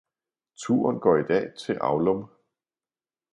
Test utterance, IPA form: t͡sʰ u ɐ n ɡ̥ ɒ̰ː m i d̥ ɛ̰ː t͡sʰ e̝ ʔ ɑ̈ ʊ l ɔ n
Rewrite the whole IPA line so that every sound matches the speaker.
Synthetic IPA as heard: t͡sʰ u ɐ n ɡ̥ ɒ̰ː i d̥ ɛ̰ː t͡sʰ e̝ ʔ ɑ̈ ʊ l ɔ m